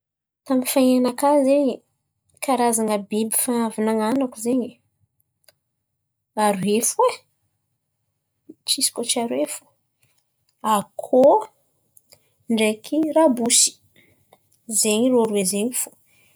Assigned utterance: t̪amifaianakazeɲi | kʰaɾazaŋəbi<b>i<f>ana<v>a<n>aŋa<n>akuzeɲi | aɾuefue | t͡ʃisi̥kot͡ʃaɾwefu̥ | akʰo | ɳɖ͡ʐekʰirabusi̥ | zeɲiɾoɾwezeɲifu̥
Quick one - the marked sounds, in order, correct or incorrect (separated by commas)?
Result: correct, correct, correct, correct, correct